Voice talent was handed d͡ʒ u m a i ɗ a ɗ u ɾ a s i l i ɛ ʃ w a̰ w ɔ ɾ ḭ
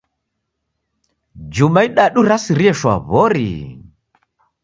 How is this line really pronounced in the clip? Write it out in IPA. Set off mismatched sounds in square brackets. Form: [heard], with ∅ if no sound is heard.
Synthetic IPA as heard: d͡ʒ u m a i ɗ a ɗ u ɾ a s i [ɾ] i ɛ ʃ w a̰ [β] ɔ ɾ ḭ